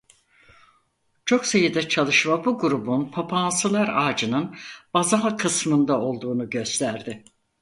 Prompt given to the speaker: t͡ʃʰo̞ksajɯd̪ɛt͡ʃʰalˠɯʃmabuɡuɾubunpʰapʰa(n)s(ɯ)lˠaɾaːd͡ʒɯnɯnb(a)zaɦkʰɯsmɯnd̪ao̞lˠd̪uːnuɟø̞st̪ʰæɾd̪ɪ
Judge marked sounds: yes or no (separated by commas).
yes, yes, yes